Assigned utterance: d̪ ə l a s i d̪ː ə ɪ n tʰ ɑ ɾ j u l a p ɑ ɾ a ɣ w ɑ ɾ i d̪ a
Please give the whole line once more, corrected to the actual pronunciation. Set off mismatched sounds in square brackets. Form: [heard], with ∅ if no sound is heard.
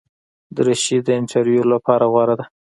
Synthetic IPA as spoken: d̪ ə [ɾ] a [ʃ] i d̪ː ə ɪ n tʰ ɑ ɾ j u l a p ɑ ɾ a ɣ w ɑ ɾ [a] d̪ a